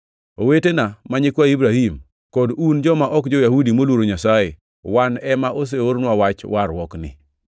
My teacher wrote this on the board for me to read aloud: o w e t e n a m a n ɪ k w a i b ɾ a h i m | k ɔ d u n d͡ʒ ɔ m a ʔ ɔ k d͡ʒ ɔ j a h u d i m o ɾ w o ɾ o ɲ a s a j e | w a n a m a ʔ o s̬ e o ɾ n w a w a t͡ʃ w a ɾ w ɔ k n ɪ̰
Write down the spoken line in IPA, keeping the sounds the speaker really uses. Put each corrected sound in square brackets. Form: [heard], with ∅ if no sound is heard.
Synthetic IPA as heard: o w e t e n a m a [ɲ] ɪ k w a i b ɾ a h i m | k ɔ d u n d͡ʒ ɔ m a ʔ ɔ k d͡ʒ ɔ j a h u d i m o [l] w o ɾ o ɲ a s a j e | w a n [ɛ] m a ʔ o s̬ e o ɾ n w a w a t͡ʃ w a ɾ w ɔ k n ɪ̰